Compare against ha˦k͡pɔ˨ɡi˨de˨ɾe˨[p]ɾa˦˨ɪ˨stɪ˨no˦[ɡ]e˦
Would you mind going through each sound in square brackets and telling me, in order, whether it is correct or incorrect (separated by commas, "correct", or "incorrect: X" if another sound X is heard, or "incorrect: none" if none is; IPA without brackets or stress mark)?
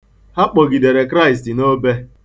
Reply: incorrect: k, incorrect: b